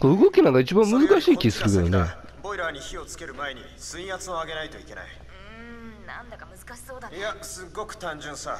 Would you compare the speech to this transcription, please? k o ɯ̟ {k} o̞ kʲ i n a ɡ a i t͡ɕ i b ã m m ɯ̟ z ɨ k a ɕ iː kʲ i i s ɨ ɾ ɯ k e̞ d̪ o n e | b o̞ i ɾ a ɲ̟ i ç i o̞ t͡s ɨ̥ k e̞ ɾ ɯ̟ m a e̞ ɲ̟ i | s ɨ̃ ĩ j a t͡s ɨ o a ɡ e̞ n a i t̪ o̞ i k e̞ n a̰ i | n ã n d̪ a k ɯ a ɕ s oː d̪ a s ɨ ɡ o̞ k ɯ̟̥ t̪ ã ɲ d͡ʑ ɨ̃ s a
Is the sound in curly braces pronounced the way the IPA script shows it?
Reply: no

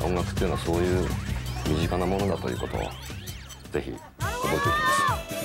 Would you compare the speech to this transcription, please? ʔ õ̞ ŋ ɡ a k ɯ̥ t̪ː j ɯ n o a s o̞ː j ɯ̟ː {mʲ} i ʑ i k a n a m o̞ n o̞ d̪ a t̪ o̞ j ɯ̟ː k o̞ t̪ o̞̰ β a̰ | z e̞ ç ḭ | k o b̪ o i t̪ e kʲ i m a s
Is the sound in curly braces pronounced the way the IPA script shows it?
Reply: yes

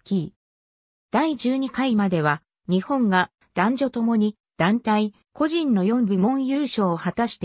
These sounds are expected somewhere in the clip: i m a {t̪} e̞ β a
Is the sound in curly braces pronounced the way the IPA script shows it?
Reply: no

